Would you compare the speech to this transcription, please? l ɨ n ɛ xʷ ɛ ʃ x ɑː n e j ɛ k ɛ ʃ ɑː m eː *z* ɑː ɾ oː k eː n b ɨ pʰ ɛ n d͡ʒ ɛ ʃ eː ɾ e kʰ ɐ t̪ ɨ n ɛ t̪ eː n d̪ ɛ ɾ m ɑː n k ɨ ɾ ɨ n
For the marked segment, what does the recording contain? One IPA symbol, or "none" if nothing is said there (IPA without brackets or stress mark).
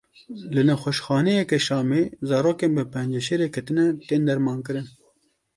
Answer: z